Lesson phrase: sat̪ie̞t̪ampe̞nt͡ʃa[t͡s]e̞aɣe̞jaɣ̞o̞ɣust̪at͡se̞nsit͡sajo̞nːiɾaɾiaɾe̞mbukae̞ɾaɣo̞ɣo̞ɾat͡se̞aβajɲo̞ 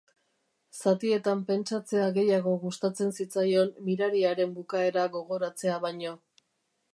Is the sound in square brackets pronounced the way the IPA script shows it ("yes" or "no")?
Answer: yes